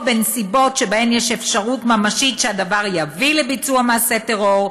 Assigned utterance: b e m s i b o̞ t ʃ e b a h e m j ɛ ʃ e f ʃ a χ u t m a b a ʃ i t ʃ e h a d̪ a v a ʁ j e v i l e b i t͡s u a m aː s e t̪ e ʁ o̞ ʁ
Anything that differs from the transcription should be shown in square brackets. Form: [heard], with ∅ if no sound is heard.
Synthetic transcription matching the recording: b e [n] s i b o̞ t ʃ e b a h e m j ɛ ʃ e f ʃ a [ʁ] u t m a [m] a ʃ i t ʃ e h a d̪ a v a ʁ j [a] v i l e b i t͡s u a m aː s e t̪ e ʁ o̞ ʁ